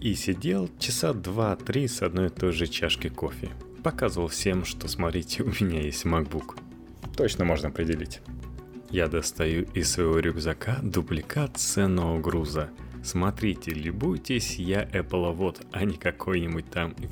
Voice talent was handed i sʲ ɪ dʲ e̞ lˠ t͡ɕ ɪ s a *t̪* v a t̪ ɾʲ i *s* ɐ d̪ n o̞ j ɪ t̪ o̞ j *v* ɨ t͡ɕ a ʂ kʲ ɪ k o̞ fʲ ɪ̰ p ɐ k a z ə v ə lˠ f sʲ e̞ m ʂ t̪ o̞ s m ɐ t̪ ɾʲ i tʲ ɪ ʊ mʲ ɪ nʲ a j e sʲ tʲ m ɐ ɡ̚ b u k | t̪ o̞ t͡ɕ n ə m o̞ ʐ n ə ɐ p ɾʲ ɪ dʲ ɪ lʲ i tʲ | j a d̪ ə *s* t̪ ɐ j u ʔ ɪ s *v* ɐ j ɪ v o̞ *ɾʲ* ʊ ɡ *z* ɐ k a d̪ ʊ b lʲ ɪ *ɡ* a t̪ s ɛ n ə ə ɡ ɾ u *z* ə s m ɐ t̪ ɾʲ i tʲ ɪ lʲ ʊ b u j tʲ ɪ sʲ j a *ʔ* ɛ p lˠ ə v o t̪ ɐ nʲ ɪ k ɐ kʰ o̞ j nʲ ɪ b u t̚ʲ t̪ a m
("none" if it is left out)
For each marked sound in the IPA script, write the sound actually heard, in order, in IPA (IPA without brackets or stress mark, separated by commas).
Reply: d̪, s, ʐ, s, v, ɾʲ, z, k, z, ʔ